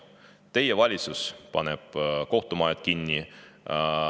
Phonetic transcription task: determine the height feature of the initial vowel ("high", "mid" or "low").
mid